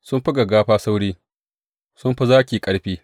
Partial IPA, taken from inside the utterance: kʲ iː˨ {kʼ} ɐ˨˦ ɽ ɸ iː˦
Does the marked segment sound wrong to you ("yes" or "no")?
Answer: no